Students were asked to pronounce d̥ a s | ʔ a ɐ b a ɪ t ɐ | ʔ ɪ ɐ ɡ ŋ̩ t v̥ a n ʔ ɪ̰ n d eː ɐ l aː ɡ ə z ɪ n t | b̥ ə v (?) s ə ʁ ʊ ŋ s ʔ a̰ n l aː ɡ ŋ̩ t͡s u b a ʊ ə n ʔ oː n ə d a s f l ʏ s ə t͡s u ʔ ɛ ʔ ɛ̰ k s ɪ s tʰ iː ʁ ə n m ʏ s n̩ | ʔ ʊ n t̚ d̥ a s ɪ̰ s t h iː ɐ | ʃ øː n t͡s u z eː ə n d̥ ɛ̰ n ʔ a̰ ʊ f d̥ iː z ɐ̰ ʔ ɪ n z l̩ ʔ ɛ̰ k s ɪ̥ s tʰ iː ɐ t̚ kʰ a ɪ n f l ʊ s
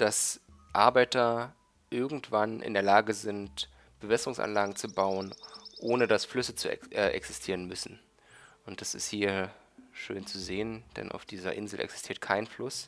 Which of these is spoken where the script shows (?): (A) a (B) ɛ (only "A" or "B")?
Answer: B